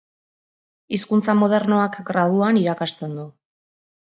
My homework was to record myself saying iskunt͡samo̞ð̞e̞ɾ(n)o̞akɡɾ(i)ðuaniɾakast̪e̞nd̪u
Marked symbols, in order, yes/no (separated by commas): yes, no